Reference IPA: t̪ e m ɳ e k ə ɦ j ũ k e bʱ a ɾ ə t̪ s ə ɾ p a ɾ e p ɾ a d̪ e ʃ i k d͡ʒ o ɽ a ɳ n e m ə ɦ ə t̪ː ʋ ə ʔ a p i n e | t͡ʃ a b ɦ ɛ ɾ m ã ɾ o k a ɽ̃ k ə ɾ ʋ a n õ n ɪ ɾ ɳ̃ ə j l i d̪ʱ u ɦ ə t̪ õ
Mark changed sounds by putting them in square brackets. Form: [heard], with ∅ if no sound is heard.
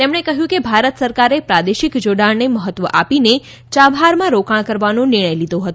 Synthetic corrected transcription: t̪ e m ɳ e k ə ɦ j ũ k e bʱ a ɾ ə t̪ s ə ɾ [k] a ɾ e p ɾ a d̪ e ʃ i k d͡ʒ o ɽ a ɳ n e m ə ɦ ə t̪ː ʋ ə ʔ a p i n e | t͡ʃ a b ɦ [a] ɾ m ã ɾ o k a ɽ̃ k ə ɾ ʋ a n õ n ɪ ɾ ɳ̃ ə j l i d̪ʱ [o] ɦ ə t̪ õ